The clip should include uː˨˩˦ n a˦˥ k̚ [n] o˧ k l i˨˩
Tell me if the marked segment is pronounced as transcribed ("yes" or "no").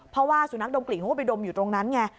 no